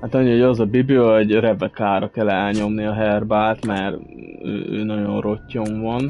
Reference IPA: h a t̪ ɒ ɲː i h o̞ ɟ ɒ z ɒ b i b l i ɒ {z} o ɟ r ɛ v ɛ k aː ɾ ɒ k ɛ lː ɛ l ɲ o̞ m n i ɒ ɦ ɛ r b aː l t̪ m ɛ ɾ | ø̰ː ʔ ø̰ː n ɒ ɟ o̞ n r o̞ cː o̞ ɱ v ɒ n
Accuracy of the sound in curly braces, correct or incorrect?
incorrect